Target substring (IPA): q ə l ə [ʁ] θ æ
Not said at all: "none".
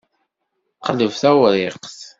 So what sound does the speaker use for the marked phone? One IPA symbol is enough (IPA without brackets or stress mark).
v